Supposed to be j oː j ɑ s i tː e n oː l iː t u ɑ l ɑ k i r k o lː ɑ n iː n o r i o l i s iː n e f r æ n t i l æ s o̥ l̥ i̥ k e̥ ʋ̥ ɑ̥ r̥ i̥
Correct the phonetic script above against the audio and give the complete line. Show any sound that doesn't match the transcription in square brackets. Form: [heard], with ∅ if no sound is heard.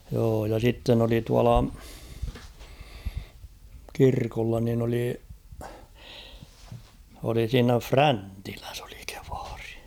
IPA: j oː j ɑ s i tː e n [o] l [i] t u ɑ l ɑ k i r k o lː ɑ n [i] n o [l] i o l i s iː n [æ] f r æ n t i l æ s o̥ l̥ i̥ k e̥ ʋ̥ ɑ̥ r̥ i̥

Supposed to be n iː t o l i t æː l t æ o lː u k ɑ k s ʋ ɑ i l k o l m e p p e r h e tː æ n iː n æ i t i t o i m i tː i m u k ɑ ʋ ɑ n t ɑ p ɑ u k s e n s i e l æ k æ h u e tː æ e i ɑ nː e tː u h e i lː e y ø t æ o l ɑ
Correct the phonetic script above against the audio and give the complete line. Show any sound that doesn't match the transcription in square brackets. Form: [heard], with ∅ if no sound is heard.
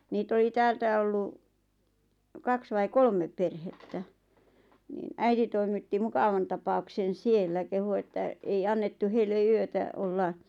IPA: n iː t o l i t æː l t æ o lː u k ɑ k s ʋ ɑ i [∅] k o l m e p p e r h e tː æ n iː n æ i t i t o i m i tː i m u k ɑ ʋ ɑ n t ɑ p ɑ u k s e n s i e [lː] æ k [e] h u e tː æ e i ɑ nː e tː u h e i lː e y ø t æ o [lː] ɑ

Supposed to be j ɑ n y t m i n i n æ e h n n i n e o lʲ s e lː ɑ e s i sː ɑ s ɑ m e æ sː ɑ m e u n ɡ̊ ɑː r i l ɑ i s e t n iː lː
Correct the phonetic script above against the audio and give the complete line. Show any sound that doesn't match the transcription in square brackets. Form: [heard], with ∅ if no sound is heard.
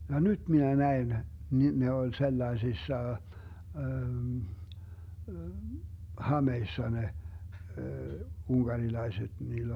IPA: j ɑ n y t m i n [æ] n æ e [∅] n n i n e o lʲ s e lː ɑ e s i sː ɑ [h] ɑ m e [i] sː ɑ [n] e u n ɡ̊ [ɑ] r i l ɑ i s e t n iː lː

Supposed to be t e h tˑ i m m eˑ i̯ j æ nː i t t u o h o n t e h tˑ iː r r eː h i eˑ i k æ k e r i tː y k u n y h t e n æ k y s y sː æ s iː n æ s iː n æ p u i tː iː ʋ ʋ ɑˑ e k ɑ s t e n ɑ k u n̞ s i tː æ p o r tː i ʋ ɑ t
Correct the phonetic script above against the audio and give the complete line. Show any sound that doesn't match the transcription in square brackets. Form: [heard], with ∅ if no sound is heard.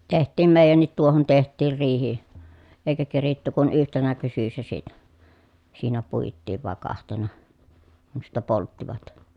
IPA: t e h tˑ [iː] m m eˑ i̯ j æ nː i t t u o h o n t e h tˑ iː r r [iː] h i eˑ i k æ k e r i tː y k u n y h t e n æ k y s y sː æ s iː n æ s iː n æ p u i tː iː ʋ ʋ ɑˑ e k ɑ [h] t e n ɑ k u n̞ s i tː æ p o [l] tː i ʋ ɑ t

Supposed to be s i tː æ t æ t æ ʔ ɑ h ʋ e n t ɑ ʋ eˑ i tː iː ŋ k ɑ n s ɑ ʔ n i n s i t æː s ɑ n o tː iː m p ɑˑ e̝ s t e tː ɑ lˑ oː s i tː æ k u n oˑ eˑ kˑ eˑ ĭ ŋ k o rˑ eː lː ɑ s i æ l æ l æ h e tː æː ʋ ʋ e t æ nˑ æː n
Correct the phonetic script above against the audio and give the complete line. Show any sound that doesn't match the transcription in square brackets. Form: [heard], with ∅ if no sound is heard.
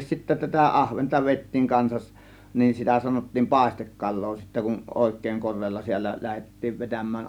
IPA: s i tː æ t æ t æ ʔ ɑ h ʋ e n t ɑ ʋ eˑ i tː iː ŋ k ɑ n s ɑ ʔ n i n s i t [æ] s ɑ n o tː iː m p ɑˑ e̝ s t e [kː] ɑ lˑ oː s i tː æ k u n oˑ eˑ kˑ eˑ ĭ ŋ k o rˑ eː lː ɑ s i æ [lː] æ l æ h e tː [iː] ʋ ʋ e t æ [mˑ] æː n

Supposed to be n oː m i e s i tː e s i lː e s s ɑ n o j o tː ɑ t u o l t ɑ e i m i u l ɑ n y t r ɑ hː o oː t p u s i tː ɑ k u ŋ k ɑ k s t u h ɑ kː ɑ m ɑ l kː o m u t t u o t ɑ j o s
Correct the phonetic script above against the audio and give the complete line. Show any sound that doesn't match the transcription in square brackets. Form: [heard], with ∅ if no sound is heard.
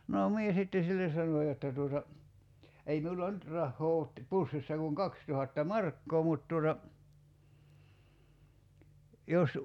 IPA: n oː m i e s i tː e s i lː e s s ɑ n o j o tː ɑ t u o [∅] t ɑ e i m i u l ɑ n y t r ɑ hː [oː] oː t p u [sː] i [sː] ɑ k u ŋ k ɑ k s t u h ɑ [tː] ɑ m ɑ [r] kː [oː] m u t t u o t ɑ j o s

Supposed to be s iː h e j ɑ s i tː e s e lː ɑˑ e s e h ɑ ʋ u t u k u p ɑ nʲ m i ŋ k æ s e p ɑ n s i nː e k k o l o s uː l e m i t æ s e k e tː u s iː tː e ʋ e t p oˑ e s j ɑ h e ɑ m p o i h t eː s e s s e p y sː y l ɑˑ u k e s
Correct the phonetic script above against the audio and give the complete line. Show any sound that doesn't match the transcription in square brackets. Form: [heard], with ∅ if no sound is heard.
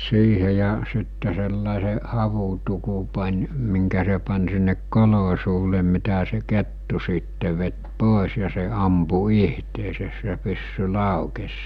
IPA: s iː h e j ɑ s i tː e s e lː ɑˑ e s e h ɑ ʋ u t u k u p ɑ nʲ m i ŋ k æ s e p ɑ n s i nː e k k o l o s uː l e m i t æ s e k e tː u s iː tː e ʋ e t p oˑ e s j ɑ [s] e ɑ m p [u] i h t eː s e s s e p y sː y l ɑˑ u k e s

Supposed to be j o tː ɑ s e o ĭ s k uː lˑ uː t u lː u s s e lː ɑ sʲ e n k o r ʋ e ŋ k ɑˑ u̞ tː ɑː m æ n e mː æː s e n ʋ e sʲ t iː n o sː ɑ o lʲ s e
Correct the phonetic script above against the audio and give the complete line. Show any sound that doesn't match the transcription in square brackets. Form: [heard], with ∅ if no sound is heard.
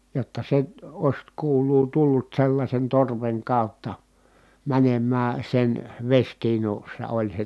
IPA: j o tː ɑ s e o ĭ s k uː lˑ uː t u lː u [t] s e lː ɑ sʲ e n [t] o r ʋ e ŋ k ɑˑ u̞ tː [ɑ] m æ n e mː æː s e n ʋ e sʲ t iː n [u] sː ɑ o lʲ s e

